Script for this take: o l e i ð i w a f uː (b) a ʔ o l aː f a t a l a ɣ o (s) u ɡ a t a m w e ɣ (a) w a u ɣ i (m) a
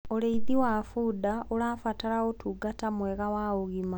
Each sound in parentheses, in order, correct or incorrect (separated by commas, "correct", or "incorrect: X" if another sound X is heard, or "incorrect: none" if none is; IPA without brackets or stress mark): incorrect: d, incorrect: t, correct, correct